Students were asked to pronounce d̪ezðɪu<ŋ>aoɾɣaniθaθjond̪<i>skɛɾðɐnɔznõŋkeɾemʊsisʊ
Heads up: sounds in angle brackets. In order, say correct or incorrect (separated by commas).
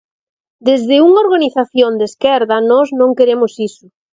correct, incorrect